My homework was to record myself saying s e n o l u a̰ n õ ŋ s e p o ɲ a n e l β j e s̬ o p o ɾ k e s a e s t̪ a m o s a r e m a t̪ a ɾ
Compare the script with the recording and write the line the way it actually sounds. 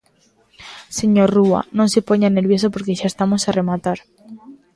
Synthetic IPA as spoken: s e ɲ o r u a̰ n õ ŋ s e p o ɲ a n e l β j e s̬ o p o ɾ k e ʃ a e s t̪ a m o s a r e m a t̪ a ɾ